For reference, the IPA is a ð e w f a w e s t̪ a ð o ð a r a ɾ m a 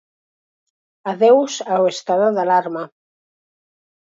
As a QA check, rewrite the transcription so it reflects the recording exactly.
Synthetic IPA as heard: a ð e w s a w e s t̪ a ð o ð a l a ɾ m a